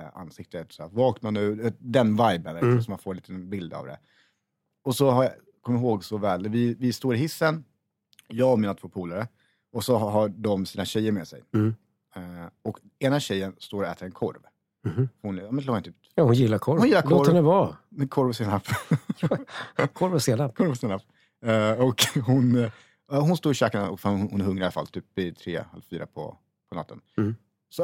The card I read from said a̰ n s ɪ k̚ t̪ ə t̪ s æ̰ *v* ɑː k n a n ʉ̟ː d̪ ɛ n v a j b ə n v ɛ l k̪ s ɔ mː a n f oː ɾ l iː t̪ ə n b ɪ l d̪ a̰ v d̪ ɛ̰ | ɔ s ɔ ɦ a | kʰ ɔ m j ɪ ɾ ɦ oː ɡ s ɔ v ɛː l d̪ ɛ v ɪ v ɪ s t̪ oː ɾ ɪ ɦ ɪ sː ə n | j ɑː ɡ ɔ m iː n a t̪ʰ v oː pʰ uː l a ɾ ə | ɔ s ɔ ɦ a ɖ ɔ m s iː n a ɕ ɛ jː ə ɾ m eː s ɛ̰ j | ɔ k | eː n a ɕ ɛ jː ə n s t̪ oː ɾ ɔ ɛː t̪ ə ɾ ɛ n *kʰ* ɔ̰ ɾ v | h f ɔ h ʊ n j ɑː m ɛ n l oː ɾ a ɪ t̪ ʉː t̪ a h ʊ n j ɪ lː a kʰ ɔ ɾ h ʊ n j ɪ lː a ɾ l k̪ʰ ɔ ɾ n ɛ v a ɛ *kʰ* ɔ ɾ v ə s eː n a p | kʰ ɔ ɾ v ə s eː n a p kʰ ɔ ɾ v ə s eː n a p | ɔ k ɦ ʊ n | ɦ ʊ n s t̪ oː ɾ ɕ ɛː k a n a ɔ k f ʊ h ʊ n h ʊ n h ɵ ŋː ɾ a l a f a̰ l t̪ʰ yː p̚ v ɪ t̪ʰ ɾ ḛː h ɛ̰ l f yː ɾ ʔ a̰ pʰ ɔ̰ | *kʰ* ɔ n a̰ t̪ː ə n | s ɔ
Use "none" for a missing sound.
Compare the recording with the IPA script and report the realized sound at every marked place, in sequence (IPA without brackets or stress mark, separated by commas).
v, kʰ, kʰ, pʰ